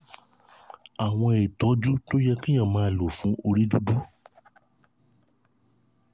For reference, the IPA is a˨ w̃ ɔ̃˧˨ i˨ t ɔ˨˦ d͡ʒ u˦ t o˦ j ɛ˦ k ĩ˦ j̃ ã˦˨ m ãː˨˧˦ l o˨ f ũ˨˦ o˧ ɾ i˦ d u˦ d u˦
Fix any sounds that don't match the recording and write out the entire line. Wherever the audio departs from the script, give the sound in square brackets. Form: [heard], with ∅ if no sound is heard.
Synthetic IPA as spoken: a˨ w̃ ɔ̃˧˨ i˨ t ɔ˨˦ d͡ʒ u˦ t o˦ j ɛ˦ k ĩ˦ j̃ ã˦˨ m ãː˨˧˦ l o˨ f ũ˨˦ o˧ ɾ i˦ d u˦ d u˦